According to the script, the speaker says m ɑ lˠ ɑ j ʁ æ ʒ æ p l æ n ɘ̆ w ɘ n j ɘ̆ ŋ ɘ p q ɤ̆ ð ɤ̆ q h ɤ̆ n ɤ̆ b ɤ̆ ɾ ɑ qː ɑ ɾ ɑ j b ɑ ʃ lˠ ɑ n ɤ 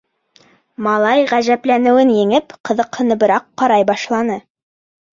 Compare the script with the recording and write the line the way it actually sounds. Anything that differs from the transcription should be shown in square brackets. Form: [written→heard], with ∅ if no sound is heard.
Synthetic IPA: m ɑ lˠ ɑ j ʁ æ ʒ æ p l æ n ɘ̆ w ɘ n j ɘ̆ ŋ ɘ p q ɤ̆ ð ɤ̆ q h ɤ̆ n ɤ̆ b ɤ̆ ɾ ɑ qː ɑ ɾ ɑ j b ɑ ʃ lˠ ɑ n ɤ